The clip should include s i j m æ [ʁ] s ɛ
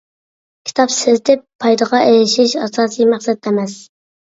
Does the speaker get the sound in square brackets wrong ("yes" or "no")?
yes